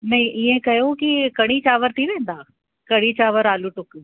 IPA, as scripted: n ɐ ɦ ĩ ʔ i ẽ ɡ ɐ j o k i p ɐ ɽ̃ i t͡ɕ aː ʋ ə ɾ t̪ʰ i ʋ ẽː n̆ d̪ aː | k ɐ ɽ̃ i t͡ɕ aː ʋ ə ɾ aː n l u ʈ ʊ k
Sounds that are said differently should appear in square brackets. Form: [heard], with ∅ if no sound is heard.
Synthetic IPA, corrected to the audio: n ɐ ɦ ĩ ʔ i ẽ [k] ɐ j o k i [k] ɐ ɽ̃ i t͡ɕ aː ʋ ə ɾ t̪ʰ i ʋ ẽː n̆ d̪ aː | k ɐ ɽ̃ i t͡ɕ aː ʋ ə ɾ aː [∅] l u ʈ ʊ k